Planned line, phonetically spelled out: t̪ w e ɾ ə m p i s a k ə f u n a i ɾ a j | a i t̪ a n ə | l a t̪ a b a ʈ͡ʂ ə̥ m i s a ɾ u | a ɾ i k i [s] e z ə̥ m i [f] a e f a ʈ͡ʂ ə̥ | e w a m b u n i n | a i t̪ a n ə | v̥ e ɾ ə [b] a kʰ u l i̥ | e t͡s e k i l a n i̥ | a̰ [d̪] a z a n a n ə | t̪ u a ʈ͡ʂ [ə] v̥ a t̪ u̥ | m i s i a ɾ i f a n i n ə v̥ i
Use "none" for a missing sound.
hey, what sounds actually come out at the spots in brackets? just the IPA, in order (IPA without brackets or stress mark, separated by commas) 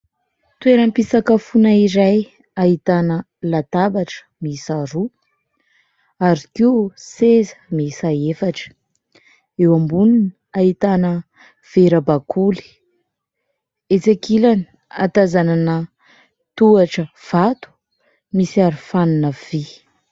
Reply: s, s, b, t̪, ə